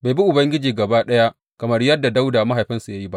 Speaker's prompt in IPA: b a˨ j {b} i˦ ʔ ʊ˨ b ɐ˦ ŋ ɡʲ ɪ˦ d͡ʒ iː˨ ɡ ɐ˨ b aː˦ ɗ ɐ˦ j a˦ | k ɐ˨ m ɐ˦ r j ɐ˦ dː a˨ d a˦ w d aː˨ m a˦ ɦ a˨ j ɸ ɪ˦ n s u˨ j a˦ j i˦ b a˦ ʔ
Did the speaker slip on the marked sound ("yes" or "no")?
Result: no